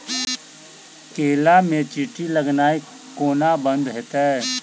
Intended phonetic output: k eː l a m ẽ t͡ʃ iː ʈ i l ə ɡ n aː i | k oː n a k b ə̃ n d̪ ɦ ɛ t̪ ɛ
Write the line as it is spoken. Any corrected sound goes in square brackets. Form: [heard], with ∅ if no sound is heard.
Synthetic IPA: k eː l a m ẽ t͡ʃ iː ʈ i l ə ɡ n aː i | k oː n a [∅] b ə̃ n d̪ ɦ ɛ t̪ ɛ